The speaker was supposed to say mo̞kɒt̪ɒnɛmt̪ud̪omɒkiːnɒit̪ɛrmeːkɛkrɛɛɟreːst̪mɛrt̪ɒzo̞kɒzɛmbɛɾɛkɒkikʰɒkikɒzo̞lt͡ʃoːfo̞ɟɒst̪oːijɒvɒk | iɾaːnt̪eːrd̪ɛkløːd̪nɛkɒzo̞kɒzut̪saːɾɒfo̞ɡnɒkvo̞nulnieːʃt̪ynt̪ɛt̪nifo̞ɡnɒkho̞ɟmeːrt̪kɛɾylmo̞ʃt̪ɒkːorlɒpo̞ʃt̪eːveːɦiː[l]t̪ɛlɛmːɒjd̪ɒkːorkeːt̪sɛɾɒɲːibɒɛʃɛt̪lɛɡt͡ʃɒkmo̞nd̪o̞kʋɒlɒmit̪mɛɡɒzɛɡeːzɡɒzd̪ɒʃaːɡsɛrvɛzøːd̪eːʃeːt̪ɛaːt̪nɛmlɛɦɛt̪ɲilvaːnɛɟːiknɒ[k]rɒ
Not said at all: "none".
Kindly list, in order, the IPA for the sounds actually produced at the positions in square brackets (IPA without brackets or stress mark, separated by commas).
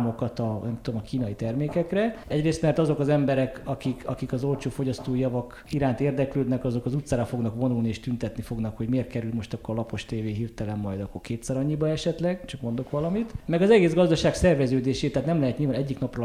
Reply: r, p